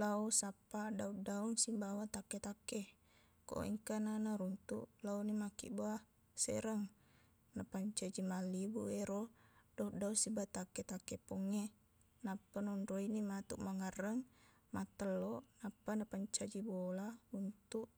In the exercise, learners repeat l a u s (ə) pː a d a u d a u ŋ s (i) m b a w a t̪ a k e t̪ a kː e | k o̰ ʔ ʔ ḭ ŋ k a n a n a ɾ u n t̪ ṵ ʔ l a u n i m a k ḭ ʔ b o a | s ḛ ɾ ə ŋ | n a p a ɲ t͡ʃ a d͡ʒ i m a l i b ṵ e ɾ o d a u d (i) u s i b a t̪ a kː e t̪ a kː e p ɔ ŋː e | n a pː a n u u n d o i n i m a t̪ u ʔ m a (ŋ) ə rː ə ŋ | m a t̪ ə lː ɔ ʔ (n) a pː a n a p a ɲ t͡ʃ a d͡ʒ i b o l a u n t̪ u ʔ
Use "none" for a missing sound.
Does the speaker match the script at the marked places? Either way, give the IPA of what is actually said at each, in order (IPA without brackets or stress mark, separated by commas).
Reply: a, i, a, ŋ, n